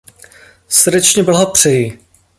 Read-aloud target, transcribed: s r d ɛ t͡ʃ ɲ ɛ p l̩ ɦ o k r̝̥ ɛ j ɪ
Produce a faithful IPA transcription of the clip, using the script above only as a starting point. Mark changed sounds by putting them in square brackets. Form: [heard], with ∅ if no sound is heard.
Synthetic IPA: s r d ɛ t͡ʃ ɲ ɛ [b] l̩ ɦ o [p] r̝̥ ɛ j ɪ

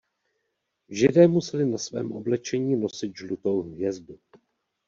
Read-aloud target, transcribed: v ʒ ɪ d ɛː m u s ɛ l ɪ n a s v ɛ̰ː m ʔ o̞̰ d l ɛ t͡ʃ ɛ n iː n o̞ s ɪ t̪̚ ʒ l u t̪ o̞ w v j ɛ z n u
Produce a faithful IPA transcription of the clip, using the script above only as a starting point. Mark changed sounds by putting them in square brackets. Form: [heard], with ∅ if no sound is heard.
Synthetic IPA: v ʒ ɪ d ɛː m u s ɛ l ɪ n a s v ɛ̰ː m ʔ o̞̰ [b] l ɛ t͡ʃ ɛ [ɲ] iː n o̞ s ɪ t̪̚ ʒ l u t̪ o̞ w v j ɛ z [d] u

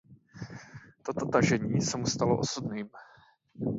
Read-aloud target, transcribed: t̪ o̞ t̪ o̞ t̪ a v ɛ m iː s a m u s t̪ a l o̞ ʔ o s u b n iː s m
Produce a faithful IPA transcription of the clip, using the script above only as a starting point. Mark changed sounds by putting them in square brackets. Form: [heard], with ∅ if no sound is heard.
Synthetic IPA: t̪ o̞ t̪ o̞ t̪ a [ʒ] ɛ [ɲ] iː s [ɛ] m u s t̪ a l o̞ ʔ o s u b n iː [∅] m

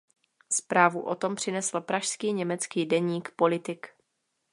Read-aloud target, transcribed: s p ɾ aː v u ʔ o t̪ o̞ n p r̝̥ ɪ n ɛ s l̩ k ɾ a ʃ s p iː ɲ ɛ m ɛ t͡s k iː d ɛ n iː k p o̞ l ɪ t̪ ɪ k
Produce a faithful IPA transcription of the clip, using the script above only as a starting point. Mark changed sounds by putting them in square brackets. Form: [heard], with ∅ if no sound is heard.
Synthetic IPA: s p ɾ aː v u ʔ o t̪ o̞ [m] p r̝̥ ɪ n ɛ s l̩ [p] ɾ a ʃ s [k] iː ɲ ɛ m ɛ t͡s k iː d ɛ [ɲ] iː k p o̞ l ɪ t̪ ɪ k

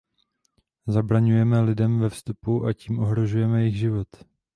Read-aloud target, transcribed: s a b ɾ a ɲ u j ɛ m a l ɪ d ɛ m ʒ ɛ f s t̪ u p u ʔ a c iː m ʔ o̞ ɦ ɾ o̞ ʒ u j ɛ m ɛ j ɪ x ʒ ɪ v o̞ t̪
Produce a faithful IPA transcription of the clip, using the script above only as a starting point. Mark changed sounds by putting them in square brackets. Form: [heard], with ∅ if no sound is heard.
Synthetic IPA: [z] a b ɾ a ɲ u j ɛ m [ɛ] l ɪ d ɛ m [v] ɛ f s t̪ u p u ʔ a c iː m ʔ o̞ ɦ ɾ o̞ ʒ u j ɛ m ɛ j ɪ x ʒ ɪ v o̞ t̪

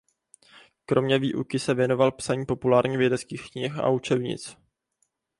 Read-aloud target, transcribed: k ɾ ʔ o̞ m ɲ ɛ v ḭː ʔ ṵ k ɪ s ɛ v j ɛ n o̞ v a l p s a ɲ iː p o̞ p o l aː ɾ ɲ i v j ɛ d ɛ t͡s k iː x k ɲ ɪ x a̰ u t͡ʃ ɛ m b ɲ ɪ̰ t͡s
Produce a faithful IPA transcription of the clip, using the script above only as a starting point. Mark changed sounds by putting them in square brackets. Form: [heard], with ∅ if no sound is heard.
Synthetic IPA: k ɾ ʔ o̞ m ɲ ɛ v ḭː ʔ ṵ k ɪ s ɛ v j ɛ n o̞ v a l p s a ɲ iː p o̞ p [u] l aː ɾ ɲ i v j ɛ d ɛ t͡s k iː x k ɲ ɪ x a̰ u t͡ʃ ɛ [∅] b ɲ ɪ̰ t͡s

